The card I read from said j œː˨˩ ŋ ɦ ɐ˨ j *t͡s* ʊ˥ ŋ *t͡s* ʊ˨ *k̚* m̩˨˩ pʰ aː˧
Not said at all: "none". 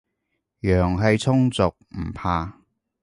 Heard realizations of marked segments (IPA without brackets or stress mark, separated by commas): t͡sʰ, t͡s, k̚